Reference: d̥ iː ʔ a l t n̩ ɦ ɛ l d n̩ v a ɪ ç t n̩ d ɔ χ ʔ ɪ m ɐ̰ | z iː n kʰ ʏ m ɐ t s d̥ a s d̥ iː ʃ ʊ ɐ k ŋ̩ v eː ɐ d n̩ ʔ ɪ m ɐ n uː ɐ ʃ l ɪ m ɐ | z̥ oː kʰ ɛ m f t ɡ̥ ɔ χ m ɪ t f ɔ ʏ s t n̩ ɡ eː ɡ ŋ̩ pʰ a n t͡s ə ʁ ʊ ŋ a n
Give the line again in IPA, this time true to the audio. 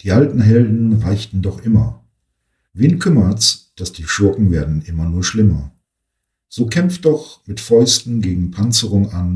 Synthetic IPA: d̥ iː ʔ a l t n̩ ɦ ɛ l d n̩ ʁ a ɪ ç t n̩ d ɔ χ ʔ ɪ m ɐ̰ | v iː n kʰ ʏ m ɐ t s d̥ a s d̥ iː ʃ ʊ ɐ k ŋ̩ v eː ɐ d n̩ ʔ ɪ m ɐ n uː ɐ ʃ l ɪ m ɐ | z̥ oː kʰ ɛ m f t d̥ ɔ χ m ɪ t f ɔ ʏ s t n̩ ɡ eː ɡ ŋ̩ pʰ a n t͡s ə ʁ ʊ ŋ a n